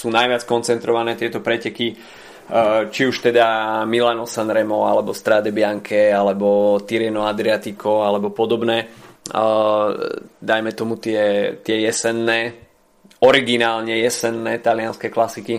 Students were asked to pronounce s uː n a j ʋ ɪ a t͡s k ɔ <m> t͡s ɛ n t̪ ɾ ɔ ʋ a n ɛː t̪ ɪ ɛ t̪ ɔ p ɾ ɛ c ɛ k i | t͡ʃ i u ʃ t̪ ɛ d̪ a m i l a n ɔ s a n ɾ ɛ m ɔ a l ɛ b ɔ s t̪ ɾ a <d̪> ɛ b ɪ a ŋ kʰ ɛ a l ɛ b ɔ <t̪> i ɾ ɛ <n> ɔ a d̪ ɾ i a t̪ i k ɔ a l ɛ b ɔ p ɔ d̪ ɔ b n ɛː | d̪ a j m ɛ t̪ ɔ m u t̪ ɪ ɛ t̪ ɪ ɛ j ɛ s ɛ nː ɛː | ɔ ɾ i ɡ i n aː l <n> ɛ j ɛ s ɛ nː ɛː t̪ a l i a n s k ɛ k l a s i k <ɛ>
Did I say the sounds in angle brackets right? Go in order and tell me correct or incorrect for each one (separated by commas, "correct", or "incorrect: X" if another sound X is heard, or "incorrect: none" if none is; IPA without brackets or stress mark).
incorrect: n, correct, correct, correct, incorrect: ɲ, incorrect: i